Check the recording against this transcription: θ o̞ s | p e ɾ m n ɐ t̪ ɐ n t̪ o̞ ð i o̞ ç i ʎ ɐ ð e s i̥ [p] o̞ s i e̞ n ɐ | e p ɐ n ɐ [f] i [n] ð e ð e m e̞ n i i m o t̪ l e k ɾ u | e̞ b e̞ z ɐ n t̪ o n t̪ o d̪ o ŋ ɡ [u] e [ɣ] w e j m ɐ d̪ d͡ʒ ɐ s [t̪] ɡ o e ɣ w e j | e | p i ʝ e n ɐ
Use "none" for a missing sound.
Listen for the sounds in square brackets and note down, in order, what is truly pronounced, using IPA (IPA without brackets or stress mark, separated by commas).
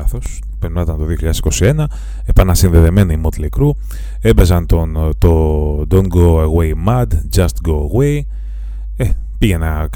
k, s, n, o, ɣ, t̪